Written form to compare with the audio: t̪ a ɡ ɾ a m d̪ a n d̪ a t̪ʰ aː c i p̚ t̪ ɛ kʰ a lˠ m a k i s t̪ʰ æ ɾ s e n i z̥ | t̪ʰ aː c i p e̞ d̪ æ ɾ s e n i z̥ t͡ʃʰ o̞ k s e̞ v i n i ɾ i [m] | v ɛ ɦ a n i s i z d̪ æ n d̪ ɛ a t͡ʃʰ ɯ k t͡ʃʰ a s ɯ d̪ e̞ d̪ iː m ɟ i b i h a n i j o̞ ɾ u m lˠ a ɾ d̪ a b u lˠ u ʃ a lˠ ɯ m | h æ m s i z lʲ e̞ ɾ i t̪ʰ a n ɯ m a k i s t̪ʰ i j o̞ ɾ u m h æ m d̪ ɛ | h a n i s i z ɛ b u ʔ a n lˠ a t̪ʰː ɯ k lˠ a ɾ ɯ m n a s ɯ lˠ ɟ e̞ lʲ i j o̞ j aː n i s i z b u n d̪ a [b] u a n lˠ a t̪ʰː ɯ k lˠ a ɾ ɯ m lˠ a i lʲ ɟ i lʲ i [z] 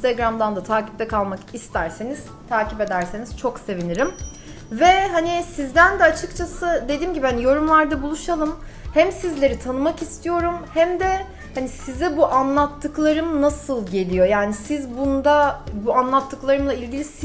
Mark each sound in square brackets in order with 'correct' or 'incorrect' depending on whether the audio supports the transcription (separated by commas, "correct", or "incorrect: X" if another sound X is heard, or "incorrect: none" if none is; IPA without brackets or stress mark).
correct, correct, incorrect: s